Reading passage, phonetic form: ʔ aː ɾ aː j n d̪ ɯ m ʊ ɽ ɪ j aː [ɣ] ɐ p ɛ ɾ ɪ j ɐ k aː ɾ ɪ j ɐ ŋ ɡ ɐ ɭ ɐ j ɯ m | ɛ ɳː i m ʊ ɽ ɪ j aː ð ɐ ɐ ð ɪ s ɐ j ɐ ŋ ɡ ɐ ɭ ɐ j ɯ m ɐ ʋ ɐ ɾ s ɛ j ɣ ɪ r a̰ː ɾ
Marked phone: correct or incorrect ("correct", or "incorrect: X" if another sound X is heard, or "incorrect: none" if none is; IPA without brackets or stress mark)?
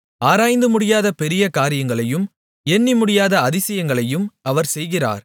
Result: incorrect: ð